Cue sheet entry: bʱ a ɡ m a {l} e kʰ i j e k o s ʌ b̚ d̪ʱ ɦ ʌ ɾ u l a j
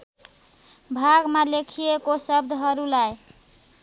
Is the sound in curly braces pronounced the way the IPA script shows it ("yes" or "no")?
yes